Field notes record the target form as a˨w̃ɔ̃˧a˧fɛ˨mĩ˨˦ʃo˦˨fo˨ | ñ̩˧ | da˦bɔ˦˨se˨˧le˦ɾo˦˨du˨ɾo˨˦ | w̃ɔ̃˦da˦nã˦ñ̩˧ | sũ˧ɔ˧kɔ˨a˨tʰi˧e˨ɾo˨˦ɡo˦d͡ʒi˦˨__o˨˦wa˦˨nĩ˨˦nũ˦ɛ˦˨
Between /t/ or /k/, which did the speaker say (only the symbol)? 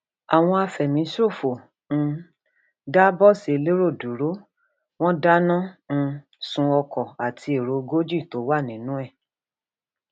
t